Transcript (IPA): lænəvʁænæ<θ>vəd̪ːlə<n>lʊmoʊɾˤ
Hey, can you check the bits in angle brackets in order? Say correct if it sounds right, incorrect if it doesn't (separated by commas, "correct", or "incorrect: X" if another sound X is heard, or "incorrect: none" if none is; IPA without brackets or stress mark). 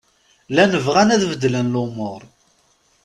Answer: incorrect: ð, correct